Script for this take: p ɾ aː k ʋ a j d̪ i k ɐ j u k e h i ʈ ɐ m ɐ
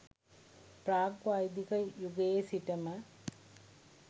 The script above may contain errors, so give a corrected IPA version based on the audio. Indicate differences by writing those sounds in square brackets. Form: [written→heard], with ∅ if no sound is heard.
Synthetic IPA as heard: p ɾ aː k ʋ a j d̪ i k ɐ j u [k→ɡ] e [h→s] i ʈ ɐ m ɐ